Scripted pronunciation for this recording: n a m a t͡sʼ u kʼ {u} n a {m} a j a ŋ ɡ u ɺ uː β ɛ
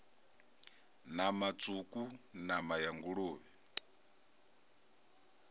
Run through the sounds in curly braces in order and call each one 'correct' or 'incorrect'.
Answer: correct, correct

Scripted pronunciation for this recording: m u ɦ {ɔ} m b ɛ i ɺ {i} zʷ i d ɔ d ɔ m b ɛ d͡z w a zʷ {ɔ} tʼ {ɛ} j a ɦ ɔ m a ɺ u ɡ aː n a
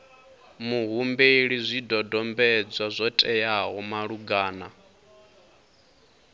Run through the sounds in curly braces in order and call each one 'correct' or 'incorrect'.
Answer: incorrect, correct, correct, correct

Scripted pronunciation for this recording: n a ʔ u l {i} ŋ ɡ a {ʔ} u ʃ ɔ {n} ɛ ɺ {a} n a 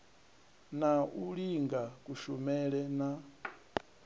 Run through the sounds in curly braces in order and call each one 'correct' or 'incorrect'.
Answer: correct, incorrect, incorrect, incorrect

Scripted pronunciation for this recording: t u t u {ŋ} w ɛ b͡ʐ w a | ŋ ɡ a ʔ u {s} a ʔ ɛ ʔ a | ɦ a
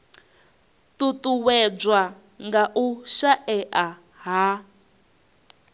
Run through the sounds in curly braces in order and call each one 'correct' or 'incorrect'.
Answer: incorrect, incorrect

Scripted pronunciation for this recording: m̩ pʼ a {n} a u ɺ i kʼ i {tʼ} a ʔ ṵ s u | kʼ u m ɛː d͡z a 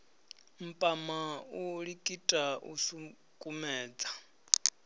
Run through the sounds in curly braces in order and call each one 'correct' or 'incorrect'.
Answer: incorrect, correct

